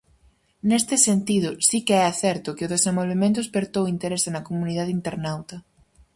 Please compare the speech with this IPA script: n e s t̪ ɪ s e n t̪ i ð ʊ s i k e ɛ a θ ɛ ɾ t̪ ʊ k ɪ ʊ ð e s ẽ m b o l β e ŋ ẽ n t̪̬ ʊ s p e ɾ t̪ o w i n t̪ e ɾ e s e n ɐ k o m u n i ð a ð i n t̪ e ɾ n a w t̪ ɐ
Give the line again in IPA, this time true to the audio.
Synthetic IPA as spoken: n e s t̪ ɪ s e n t̪ i ð ʊ s i k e ɛ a θ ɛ ɾ t̪ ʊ k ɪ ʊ ð e s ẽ m b o l β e m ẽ n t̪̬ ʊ s p e ɾ t̪ o w i n t̪ e ɾ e s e n ɐ k o m u n i ð a ð i n t̪ e ɾ n a w t̪ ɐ